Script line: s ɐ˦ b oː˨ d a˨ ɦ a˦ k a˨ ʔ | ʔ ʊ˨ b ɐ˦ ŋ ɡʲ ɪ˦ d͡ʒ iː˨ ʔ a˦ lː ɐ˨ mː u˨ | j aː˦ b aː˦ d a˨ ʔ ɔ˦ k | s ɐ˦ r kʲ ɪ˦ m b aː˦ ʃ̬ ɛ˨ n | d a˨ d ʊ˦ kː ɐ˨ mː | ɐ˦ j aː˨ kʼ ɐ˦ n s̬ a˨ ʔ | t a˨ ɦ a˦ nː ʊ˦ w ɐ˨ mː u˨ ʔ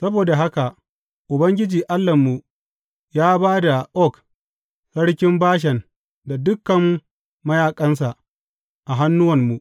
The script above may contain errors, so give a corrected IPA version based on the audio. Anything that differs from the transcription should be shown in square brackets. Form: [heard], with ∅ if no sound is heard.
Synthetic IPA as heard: s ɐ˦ b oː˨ d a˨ ɦ a˦ k a˨ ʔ | ʔ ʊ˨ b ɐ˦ ŋ ɡʲ ɪ˦ d͡ʒ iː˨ ʔ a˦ lː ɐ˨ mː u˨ | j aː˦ b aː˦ d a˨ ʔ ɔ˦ k | s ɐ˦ [ɽ] kʲ ɪ˦ m b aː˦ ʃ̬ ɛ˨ n | d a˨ d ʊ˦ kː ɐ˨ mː | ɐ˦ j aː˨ kʼ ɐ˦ n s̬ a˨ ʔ | [ʔ] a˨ ɦ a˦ nː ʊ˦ w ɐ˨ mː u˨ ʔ

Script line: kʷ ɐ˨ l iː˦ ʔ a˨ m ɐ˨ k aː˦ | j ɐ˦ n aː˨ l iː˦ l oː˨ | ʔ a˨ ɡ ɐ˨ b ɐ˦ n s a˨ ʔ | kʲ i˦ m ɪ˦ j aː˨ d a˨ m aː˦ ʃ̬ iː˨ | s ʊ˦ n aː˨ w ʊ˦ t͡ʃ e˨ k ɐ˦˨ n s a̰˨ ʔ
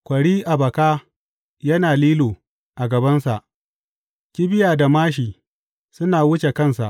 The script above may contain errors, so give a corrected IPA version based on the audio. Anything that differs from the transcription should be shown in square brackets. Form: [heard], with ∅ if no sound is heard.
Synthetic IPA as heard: kʷ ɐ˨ [ɽ] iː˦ ʔ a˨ [b] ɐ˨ k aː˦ | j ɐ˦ n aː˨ l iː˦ l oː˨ | ʔ a˨ ɡ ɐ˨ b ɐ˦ n s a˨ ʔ | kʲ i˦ [b] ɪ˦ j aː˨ d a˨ m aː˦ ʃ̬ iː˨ | s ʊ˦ n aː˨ w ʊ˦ t͡ʃ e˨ k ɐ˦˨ n s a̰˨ ʔ

